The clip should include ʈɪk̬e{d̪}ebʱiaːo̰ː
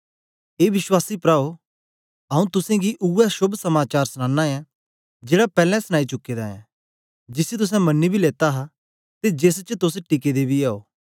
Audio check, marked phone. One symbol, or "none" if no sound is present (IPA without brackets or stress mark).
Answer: d̪